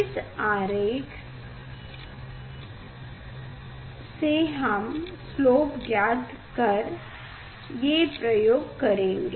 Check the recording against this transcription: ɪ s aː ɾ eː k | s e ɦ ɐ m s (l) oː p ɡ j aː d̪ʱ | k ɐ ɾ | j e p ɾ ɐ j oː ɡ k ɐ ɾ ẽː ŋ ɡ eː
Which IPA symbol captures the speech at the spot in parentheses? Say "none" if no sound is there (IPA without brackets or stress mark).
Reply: l